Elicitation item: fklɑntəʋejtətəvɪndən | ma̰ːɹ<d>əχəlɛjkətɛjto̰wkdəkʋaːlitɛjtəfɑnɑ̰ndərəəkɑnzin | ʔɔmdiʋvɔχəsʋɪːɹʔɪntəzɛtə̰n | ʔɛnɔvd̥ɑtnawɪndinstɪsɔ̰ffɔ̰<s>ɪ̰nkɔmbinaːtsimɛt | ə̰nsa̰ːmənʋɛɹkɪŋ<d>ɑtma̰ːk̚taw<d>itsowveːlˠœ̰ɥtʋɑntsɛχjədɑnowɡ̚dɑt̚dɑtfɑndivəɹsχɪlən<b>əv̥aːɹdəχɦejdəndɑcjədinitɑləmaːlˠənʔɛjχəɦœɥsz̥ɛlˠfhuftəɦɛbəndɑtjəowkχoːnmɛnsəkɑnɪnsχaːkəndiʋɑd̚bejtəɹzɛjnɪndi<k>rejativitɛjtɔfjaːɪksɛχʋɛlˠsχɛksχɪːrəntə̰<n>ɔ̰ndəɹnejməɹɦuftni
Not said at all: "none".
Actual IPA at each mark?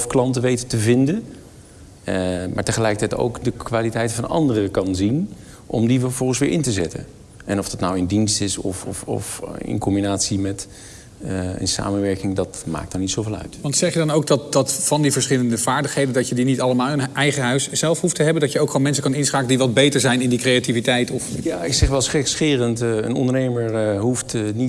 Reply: t, f, d, n, d, k, n

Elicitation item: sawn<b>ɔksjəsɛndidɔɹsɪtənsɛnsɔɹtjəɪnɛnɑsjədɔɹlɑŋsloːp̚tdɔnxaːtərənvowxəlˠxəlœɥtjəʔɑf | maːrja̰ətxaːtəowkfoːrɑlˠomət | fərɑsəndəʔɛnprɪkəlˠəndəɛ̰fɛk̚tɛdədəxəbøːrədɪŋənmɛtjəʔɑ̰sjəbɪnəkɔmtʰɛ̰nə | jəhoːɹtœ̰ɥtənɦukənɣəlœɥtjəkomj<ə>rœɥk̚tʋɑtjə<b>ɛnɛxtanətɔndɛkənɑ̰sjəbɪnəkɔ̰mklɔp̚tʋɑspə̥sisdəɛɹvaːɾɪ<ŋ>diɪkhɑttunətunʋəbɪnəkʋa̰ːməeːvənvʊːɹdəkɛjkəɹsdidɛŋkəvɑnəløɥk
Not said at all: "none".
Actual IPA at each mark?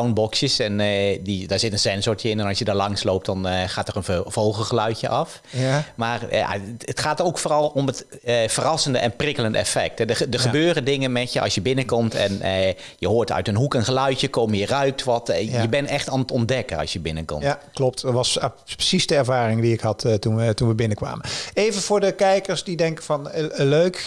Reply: b, ə, b, ŋ

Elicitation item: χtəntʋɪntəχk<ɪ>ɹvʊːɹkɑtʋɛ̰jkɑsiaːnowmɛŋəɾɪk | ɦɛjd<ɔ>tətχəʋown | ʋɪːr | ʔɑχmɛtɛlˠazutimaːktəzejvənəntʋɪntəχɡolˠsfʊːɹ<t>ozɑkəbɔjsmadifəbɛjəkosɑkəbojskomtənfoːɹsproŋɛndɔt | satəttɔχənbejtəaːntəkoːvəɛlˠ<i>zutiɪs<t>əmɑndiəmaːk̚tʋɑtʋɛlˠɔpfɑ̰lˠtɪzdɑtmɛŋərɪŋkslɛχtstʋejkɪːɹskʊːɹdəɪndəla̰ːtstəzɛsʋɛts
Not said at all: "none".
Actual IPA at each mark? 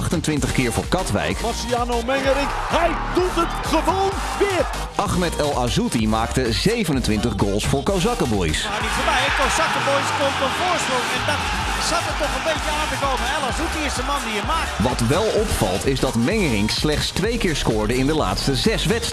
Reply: ɪː, u, k, a, d

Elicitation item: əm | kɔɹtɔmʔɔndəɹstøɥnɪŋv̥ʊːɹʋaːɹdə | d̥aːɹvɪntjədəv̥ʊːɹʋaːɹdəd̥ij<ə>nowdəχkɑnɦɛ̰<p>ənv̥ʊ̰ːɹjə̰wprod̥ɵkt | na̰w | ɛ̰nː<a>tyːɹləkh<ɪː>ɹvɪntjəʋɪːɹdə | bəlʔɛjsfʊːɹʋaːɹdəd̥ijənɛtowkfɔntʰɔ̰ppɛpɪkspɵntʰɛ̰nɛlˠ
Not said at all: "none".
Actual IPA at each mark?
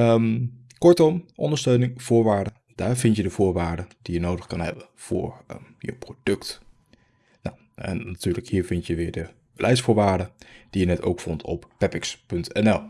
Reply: ə, b, a, iː

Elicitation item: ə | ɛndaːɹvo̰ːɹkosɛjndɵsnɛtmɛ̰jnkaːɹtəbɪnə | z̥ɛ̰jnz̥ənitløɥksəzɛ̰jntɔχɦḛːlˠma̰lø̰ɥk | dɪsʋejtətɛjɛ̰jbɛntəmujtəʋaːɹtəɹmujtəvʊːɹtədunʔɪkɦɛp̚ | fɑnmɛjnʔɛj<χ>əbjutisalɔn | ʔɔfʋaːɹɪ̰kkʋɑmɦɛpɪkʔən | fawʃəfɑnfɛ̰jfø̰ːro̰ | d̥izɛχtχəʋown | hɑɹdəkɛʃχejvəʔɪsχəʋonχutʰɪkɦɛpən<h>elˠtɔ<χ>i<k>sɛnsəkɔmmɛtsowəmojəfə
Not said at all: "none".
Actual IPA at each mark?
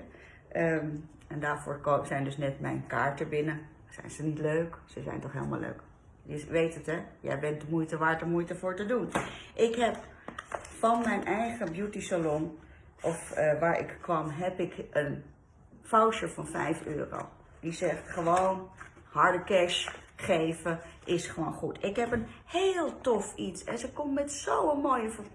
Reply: χ, h, f, t

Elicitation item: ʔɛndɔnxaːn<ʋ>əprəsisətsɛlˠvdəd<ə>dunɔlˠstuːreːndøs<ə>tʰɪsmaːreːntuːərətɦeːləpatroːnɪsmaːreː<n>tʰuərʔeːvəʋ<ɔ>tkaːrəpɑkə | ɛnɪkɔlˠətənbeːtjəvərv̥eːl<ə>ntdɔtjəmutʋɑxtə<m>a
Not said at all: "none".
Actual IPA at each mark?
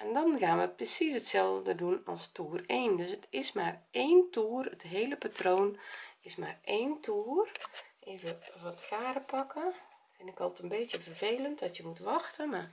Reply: ʋ, ə, ə, n, ɔ, ə, m

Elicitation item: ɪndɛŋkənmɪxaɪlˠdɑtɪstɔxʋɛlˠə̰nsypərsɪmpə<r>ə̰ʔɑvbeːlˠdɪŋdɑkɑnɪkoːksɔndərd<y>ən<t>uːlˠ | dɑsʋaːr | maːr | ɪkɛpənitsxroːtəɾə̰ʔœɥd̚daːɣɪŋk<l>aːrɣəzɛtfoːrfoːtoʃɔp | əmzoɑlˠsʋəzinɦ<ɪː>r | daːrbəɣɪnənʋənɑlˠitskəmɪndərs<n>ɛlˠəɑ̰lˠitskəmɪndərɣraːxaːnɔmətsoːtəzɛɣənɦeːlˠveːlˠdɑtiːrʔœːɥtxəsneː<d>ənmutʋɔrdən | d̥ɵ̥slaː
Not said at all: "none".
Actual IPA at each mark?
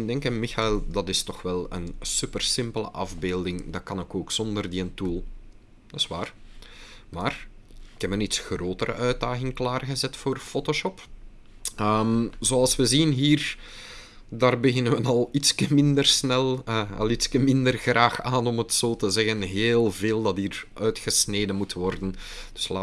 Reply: l, i, t, l, iː, n, d

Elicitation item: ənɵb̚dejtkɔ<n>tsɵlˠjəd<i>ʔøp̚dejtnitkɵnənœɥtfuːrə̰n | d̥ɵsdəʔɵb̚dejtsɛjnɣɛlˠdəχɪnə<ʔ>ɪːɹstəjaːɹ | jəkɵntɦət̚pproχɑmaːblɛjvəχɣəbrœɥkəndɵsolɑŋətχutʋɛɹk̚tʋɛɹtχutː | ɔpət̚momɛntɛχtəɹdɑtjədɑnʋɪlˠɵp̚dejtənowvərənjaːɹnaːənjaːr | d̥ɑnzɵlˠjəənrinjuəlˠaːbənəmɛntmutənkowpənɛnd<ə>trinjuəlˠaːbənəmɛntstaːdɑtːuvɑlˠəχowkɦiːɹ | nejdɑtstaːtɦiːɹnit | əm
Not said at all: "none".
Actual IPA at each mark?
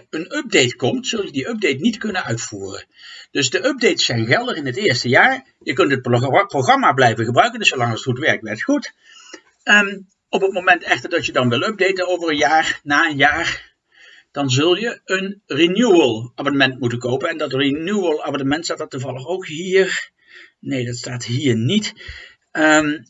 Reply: m, i, t, ɑ

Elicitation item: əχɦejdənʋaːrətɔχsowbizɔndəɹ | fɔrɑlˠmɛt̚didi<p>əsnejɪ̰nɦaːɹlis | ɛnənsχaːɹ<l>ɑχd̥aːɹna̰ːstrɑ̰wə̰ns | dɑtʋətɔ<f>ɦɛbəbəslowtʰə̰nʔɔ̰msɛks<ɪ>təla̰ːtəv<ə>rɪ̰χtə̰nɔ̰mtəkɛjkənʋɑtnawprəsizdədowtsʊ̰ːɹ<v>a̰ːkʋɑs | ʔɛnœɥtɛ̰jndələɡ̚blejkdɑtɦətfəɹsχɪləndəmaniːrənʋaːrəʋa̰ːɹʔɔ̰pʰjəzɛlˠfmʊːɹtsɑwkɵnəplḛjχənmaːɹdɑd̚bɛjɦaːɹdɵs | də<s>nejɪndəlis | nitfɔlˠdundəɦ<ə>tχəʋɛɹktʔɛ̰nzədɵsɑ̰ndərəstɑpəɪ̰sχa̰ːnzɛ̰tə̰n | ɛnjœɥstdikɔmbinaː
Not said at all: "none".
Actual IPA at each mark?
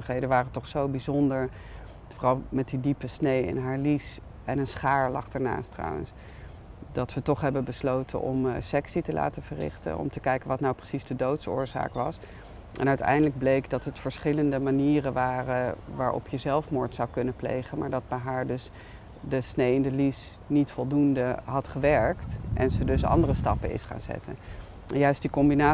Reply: p, l, χ, i, ə, z, s, ɑ

